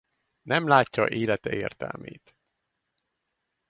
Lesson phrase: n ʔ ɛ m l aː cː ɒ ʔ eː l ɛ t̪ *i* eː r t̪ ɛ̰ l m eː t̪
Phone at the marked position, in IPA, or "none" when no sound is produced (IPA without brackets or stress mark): ɛ